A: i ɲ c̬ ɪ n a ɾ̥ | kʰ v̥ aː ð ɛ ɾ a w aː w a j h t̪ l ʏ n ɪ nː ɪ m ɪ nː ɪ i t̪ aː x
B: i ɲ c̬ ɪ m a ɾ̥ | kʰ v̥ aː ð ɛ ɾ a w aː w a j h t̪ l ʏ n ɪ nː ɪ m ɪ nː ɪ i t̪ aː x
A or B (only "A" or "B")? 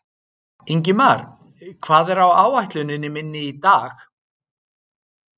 B